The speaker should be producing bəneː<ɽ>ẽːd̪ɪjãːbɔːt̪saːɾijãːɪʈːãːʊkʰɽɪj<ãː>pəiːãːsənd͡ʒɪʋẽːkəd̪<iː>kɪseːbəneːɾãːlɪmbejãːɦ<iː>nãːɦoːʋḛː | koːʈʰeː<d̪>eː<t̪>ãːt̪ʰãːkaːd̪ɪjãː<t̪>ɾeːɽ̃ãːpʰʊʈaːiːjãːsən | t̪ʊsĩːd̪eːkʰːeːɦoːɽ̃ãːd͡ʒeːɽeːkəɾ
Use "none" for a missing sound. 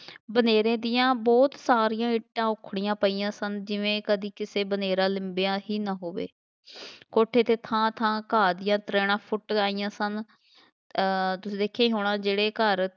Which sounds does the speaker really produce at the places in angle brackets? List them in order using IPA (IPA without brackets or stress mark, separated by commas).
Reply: ɾ, ãː, iː, iː, t̪, t̪ʰ, t̪